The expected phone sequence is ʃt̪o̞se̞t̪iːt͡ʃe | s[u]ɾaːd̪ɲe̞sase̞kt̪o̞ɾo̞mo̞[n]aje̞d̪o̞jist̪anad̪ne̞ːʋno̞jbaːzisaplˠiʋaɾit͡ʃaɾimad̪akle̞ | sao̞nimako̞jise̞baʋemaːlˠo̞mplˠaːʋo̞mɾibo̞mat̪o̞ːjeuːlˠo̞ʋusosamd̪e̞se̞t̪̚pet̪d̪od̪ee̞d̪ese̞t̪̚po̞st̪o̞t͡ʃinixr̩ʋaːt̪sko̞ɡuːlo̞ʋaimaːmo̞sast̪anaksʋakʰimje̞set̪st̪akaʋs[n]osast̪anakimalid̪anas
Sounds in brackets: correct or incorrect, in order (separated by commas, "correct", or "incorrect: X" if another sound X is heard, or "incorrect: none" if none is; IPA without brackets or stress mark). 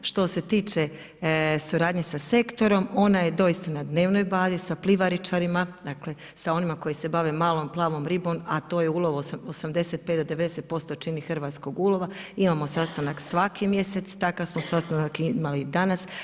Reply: correct, correct, incorrect: m